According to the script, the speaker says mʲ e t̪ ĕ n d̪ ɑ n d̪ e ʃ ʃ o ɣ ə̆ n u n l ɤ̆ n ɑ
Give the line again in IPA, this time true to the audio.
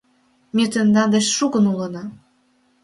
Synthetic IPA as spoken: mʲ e t̪ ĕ n d̪ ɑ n d̪ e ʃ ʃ u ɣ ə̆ n u l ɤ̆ n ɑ